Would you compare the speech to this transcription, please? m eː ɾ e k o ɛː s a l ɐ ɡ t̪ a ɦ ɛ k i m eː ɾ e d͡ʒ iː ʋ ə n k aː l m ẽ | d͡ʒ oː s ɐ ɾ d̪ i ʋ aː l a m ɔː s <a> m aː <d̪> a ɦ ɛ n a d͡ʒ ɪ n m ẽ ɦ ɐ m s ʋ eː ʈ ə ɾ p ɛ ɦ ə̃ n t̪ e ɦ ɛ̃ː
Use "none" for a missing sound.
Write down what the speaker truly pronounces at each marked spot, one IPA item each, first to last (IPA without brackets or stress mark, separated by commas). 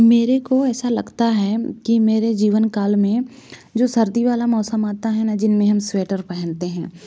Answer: ə, t̪